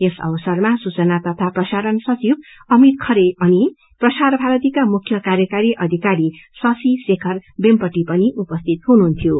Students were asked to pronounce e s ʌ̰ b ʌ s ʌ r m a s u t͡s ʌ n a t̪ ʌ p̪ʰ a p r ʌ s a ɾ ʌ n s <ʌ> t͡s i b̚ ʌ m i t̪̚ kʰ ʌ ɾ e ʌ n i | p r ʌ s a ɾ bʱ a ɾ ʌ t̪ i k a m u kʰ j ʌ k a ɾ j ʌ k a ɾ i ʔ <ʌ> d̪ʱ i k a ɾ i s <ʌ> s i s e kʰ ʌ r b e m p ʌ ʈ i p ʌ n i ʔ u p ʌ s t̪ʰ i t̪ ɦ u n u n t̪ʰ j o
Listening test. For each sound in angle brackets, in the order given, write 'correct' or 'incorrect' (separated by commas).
correct, correct, correct